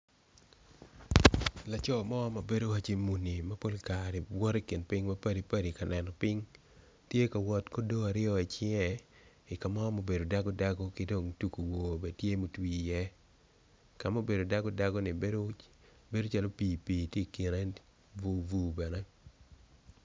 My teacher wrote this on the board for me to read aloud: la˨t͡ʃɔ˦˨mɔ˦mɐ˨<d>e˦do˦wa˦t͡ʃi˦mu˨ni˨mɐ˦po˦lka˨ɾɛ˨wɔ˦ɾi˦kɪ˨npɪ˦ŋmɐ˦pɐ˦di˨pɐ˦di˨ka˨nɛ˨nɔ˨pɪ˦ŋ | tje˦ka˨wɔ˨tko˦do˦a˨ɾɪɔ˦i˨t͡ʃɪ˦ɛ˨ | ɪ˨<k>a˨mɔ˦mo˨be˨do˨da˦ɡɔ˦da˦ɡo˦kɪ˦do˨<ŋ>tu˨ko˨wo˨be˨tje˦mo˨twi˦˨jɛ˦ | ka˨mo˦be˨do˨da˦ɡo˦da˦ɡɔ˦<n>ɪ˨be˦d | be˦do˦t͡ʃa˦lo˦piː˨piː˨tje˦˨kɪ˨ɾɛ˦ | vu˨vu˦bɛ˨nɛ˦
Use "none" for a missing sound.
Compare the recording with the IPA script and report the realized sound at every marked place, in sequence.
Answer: b, k, ŋ, n

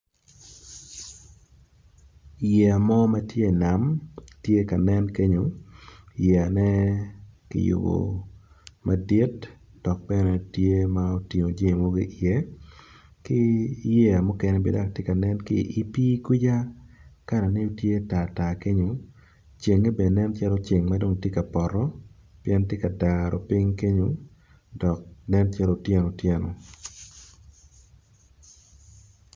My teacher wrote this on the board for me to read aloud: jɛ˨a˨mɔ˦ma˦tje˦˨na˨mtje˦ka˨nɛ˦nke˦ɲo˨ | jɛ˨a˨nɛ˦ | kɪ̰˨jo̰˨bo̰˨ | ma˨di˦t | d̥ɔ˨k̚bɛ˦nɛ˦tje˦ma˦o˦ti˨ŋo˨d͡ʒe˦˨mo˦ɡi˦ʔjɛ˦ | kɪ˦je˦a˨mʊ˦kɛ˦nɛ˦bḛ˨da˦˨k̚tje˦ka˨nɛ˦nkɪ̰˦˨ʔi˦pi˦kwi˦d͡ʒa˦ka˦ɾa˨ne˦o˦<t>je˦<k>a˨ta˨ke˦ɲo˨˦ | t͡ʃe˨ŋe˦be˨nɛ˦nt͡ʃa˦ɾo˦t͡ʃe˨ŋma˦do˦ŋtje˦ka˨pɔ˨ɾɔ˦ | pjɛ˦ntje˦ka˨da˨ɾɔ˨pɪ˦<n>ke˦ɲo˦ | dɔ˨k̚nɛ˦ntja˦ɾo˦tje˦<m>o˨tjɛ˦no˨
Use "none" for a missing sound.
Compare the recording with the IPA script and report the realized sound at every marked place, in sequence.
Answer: t, t, ŋ, n

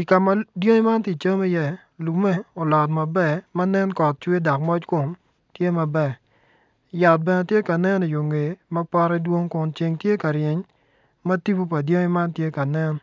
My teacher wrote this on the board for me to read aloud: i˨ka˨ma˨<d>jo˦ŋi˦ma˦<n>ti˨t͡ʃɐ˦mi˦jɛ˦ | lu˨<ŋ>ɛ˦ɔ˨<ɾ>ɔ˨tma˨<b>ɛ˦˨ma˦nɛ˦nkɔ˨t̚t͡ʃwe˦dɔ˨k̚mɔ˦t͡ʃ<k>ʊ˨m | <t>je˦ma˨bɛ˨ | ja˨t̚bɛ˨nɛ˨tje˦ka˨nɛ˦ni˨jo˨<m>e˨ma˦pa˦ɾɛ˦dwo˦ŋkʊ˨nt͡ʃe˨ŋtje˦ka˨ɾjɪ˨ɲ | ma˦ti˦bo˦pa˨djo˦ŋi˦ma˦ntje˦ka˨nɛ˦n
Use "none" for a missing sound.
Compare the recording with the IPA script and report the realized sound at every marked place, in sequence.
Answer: d, n, m, l, b, k, t, ŋ

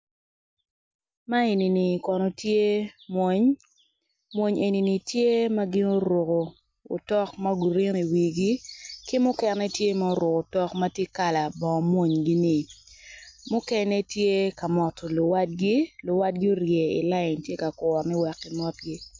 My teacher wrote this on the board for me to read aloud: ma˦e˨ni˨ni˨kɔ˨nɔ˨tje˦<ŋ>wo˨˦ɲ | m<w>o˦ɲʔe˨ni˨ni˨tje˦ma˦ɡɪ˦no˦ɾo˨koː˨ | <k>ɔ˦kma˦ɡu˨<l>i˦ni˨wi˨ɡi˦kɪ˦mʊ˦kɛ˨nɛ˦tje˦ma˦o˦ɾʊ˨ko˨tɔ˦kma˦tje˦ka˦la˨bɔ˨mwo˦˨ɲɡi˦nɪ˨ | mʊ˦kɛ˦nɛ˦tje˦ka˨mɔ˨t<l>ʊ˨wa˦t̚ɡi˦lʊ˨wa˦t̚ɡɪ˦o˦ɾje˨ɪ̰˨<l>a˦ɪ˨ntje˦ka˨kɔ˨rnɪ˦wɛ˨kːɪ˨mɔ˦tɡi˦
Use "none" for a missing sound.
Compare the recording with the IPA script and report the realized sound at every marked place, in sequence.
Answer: m, w, t, ɾ, l, l

